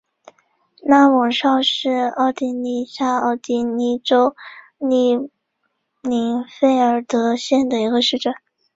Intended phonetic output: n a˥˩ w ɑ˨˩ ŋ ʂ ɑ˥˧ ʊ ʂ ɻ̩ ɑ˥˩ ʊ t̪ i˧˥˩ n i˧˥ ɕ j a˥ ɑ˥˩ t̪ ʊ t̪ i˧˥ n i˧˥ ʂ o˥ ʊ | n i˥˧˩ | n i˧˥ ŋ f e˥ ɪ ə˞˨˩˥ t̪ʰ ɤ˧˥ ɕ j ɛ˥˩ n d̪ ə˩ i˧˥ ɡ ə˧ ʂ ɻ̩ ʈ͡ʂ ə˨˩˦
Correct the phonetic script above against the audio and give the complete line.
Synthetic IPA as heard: n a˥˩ w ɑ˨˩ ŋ ʂ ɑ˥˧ ʊ ʂ ɻ̩ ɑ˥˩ ʊ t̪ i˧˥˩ n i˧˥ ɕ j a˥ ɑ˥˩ ʊ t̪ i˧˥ n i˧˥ ʈ͡ʂ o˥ ʊ | n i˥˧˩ | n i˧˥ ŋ f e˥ ɪ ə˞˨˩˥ t̪ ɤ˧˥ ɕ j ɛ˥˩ n d̪ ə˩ i˧˥ ɡ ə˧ ʂ ɻ̩ ʈ͡ʂ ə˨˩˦